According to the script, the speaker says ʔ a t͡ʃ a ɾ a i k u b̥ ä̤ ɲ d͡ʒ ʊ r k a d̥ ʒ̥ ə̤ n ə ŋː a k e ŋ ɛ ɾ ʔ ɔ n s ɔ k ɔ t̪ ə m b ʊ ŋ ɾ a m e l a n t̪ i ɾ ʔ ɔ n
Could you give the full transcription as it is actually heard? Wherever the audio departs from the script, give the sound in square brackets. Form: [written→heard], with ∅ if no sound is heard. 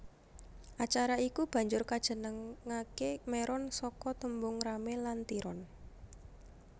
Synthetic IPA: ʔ a t͡ʃ a ɾ a i k u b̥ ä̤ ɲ d͡ʒ ʊ r k a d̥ ʒ̥ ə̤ n ə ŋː a k e [ŋ→m] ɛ ɾ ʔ ɔ n s ɔ k ɔ t̪ ə m b ʊ ŋ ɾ a m e l a n t̪ i ɾ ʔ ɔ n